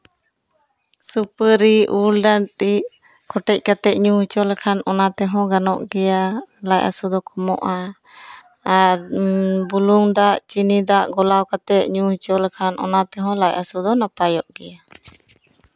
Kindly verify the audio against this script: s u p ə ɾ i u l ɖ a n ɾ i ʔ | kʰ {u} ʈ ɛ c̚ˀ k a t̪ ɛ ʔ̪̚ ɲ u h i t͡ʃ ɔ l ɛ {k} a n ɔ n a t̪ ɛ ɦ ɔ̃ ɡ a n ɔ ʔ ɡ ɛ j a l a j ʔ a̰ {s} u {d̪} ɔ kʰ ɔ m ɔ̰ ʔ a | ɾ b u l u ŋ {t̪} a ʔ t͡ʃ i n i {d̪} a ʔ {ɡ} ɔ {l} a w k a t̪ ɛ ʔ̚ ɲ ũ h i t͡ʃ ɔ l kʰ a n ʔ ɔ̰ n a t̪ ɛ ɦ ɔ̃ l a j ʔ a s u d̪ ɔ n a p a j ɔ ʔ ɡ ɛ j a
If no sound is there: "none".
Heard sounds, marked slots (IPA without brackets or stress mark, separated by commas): ɔ, kʰ, s, d̪, d̪, d̪, ɡ, l